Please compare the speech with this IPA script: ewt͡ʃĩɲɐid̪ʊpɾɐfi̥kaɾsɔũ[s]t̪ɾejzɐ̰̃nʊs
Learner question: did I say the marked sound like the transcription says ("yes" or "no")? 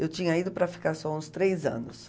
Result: yes